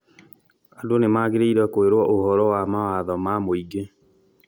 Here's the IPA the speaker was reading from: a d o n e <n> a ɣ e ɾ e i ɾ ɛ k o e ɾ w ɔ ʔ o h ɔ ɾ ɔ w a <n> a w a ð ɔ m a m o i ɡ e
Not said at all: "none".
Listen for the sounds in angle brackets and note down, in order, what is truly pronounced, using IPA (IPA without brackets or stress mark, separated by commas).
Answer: m, m